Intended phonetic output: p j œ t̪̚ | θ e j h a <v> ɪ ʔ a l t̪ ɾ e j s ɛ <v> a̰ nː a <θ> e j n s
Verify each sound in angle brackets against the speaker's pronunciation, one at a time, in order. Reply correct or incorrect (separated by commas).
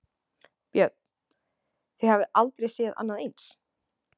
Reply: correct, incorrect, incorrect